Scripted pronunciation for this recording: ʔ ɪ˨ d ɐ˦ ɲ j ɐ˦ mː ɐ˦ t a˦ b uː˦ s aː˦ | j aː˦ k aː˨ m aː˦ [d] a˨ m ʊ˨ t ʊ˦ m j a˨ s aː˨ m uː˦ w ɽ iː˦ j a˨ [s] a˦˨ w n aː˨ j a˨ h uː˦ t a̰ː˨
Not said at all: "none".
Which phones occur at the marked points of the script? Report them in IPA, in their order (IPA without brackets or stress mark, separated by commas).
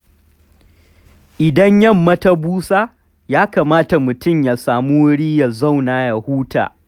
t, z